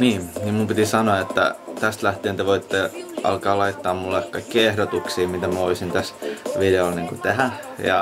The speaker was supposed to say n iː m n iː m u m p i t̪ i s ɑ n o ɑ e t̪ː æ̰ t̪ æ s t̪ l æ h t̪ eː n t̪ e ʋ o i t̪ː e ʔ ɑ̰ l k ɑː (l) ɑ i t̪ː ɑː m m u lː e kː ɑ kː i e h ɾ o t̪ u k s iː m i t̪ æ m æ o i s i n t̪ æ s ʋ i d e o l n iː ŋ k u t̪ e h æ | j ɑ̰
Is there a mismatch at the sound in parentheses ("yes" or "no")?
no